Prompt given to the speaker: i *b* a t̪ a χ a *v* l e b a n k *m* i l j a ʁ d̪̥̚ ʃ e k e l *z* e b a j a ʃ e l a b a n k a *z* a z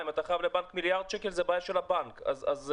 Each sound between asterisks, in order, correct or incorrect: incorrect: m, correct, correct, correct, correct

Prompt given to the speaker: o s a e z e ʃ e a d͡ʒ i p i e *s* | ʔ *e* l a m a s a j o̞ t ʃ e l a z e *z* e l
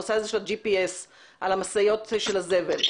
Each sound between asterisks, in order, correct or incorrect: correct, incorrect: a, incorrect: v

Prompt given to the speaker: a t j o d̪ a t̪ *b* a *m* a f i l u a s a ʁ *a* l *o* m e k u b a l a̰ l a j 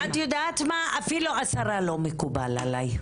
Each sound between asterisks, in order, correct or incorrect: incorrect: m, incorrect: none, correct, correct

